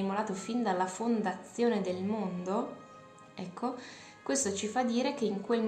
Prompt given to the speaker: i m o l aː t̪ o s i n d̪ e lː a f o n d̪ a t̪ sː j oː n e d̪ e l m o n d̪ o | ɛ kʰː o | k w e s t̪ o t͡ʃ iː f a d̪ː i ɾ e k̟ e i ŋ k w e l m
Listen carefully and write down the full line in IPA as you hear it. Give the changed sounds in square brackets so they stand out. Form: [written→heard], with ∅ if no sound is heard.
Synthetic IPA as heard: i m o l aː t̪ o [s→f] i n d̪ [e→a] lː a f o n d̪ a t̪ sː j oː n e d̪ e l m o n d̪ o | ɛ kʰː o | k w e s t̪ o t͡ʃ [iː→i] f a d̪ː [i→iː] ɾ e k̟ e i ŋ k w e l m